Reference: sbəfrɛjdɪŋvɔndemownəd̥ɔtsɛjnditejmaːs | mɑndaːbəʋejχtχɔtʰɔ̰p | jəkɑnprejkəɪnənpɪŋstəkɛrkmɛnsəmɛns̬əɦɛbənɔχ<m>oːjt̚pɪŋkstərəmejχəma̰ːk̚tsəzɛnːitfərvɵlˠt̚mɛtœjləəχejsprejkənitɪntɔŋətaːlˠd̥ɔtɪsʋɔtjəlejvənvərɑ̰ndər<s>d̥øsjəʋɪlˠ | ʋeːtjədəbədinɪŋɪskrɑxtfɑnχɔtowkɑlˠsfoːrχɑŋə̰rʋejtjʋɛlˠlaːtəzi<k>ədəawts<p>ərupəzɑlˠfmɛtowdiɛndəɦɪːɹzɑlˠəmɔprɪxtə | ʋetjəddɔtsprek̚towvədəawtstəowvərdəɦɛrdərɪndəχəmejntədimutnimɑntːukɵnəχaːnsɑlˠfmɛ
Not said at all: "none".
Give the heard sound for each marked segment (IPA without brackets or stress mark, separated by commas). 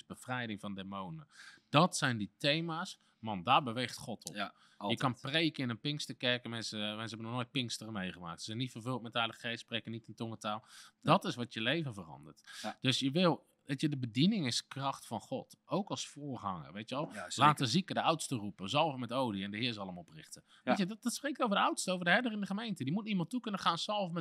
n, t, k, t